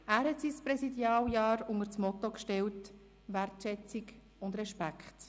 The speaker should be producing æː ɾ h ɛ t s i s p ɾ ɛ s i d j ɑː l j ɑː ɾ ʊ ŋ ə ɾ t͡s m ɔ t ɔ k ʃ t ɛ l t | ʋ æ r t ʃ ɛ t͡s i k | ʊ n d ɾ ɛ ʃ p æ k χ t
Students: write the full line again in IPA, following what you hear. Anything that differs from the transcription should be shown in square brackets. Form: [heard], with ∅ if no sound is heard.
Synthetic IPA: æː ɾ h ɛ t s i s p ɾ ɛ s i d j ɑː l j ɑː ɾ ʊ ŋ ə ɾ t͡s m ɔ t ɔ k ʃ t ɛ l t | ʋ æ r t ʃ ɛ t͡s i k | ʊ n d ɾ ɛ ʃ p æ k χ t